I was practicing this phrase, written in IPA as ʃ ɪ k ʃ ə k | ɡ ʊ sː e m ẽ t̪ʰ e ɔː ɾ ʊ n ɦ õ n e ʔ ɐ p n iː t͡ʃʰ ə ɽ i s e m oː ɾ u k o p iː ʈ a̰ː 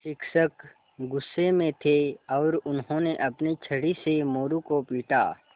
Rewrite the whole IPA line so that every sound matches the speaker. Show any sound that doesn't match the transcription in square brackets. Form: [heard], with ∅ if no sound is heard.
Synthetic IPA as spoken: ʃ ɪ k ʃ ə k | ɡ ʊ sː e m ẽ t̪ʰ e ɔː ɾ ʊ n ɦ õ n e ʔ ɐ p n [i] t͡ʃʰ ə ɽ i s e m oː ɾ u k o p iː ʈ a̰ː